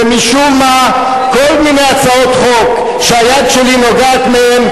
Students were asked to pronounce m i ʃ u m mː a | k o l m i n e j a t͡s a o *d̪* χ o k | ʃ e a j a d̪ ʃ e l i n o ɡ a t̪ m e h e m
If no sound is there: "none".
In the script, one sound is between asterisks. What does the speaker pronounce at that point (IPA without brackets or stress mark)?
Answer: t̪